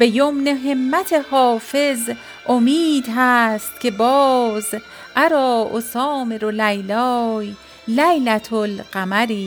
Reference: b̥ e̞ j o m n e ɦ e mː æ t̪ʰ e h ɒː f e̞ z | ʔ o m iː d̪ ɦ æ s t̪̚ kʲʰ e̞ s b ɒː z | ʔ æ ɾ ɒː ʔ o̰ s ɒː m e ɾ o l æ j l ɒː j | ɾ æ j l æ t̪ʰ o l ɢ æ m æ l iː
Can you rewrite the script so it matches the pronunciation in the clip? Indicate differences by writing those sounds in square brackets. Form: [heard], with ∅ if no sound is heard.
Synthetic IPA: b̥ e̞ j o m n e ɦ e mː æ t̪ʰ e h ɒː f e̞ z | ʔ o m iː d̪ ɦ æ s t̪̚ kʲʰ e̞ [∅] b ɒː z | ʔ æ ɾ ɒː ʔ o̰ s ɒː m e ɾ o l æ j l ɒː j | [l] æ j l æ t̪ʰ o l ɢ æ m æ [ɾ] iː